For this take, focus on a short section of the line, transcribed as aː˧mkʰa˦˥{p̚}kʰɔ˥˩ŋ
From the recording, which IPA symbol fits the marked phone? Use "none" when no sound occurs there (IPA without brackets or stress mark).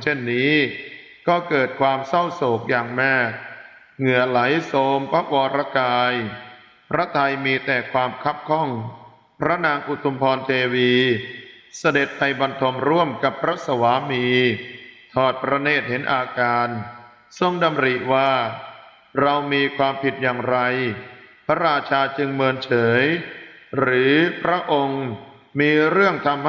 p̚